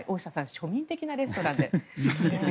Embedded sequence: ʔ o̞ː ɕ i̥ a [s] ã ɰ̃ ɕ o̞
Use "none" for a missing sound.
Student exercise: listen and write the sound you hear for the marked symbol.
s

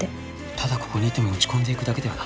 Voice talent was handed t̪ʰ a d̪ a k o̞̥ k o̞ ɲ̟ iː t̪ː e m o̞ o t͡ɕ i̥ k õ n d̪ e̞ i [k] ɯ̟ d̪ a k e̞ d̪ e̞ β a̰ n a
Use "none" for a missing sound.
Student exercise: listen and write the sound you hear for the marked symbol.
k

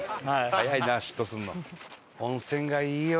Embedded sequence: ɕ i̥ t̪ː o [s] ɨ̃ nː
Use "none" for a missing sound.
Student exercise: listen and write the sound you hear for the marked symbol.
s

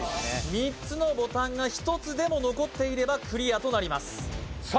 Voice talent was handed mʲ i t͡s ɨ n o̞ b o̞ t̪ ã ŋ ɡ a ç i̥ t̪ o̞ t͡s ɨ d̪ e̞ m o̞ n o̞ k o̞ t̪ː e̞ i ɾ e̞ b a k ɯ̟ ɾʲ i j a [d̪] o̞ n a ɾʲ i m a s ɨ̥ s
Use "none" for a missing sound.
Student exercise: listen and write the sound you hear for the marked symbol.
t̪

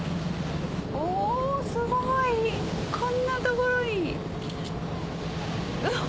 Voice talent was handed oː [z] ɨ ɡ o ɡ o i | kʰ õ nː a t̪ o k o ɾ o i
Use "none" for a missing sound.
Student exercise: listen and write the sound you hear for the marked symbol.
s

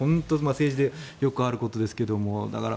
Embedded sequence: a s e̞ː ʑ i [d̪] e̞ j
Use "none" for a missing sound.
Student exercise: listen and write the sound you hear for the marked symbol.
d̪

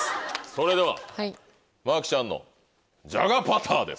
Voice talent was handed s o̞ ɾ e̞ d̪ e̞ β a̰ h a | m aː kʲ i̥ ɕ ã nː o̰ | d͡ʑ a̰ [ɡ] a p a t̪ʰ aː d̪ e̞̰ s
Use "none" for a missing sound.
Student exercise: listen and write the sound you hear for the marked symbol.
ɡ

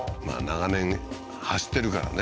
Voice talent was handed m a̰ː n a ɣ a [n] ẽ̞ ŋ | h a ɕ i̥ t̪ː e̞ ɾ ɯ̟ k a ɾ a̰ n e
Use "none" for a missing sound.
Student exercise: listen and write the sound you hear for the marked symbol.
n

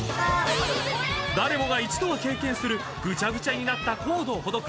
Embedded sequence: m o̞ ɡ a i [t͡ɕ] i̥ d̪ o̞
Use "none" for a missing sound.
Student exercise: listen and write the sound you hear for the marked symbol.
t͡ɕ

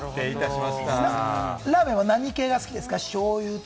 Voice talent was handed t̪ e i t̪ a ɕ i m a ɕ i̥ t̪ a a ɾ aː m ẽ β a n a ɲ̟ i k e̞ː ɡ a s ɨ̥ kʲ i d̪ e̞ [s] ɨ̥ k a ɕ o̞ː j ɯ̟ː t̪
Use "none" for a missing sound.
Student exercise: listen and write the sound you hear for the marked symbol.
s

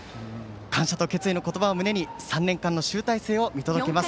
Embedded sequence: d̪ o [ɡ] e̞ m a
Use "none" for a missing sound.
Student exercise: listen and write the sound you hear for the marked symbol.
k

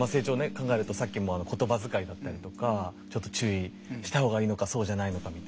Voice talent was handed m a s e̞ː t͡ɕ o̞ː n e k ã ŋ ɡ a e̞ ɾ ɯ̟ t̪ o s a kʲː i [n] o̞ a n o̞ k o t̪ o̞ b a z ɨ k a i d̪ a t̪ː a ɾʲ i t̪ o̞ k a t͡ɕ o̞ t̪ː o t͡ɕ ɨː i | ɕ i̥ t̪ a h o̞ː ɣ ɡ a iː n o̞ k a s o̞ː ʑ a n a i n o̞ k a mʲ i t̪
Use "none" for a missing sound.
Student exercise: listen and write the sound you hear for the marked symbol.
m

